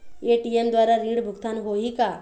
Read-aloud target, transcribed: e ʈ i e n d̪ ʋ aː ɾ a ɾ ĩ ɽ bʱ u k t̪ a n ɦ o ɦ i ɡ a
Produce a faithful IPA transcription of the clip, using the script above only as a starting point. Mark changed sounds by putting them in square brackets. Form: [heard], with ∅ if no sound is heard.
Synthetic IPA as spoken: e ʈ i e [m] d̪ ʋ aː ɾ a ɾ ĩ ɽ bʱ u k t̪ a n ɦ o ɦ i [k] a